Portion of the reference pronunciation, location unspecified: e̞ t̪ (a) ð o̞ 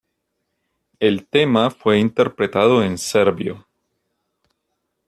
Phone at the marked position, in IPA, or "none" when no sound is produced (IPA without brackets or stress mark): a